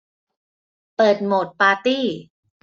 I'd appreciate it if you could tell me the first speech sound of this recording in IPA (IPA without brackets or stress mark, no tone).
p